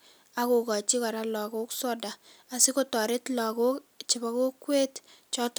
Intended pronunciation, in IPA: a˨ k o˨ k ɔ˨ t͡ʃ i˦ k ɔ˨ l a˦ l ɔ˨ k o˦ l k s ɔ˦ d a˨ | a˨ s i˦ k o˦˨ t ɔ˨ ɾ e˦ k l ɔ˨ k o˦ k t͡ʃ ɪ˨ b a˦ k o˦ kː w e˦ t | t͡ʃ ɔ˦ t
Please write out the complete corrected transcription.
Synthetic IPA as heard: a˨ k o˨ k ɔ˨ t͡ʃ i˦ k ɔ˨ ɾ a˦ l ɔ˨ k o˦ k s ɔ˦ d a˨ | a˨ s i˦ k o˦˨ t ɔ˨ ɾ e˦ t l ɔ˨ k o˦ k t͡ʃ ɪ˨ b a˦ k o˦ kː w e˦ t | t͡ʃ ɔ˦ t